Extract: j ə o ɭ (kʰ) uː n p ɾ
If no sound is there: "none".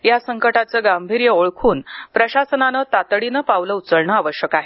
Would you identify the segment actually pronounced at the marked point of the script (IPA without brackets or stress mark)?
kʰ